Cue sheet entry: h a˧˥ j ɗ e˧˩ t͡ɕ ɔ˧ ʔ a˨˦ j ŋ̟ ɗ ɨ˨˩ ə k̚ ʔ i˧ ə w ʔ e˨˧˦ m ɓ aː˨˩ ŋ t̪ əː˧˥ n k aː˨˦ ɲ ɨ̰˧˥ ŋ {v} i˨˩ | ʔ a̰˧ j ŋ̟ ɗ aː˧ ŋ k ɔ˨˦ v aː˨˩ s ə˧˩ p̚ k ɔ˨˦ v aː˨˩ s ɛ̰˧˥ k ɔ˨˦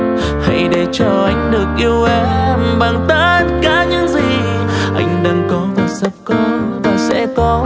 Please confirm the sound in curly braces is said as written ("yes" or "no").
no